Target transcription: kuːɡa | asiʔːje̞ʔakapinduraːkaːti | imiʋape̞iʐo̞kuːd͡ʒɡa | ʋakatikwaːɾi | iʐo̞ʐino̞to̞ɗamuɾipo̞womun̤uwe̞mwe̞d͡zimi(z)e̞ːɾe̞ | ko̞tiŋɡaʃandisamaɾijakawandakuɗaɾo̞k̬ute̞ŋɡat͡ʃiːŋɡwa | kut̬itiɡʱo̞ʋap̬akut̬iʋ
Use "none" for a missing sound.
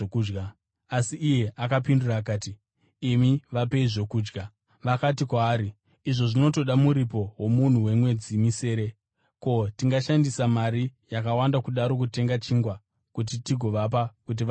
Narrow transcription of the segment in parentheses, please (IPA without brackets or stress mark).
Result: s